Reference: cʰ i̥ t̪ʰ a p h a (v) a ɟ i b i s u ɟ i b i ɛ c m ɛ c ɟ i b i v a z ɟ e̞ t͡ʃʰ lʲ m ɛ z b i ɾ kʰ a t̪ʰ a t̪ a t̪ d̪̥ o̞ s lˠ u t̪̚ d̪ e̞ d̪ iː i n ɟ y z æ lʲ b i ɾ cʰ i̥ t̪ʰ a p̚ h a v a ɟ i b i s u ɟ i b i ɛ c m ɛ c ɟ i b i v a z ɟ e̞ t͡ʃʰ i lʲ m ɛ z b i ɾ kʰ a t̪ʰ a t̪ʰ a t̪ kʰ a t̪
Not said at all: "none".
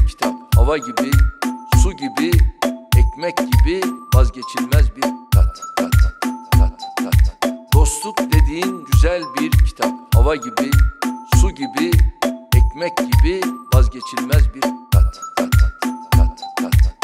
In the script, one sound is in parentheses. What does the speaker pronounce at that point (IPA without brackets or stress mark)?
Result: v